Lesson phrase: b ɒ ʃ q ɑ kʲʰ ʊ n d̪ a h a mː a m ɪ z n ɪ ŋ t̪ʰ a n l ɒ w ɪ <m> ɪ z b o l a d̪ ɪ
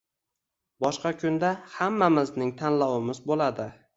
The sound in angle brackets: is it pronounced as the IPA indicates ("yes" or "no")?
yes